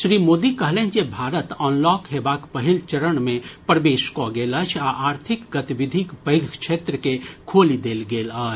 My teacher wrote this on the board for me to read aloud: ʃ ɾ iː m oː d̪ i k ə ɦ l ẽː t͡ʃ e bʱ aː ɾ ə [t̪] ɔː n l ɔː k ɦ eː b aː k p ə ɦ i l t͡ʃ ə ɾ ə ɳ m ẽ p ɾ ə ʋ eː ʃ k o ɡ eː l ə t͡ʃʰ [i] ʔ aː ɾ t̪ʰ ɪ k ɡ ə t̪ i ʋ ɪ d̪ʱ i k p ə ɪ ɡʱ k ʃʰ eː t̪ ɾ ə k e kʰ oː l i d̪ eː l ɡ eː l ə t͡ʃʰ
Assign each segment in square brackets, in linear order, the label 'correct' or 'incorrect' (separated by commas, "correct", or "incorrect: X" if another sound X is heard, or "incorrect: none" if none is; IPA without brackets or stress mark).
correct, incorrect: a